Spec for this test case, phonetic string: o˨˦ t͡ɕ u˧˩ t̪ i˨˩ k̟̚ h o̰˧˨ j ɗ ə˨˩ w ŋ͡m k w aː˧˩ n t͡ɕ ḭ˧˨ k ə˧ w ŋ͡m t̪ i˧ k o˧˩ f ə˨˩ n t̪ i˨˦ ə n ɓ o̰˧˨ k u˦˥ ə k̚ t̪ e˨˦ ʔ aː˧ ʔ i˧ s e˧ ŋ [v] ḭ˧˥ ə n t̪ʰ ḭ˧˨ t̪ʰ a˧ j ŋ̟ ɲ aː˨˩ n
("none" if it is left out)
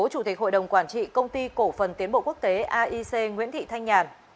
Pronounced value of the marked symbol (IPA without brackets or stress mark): w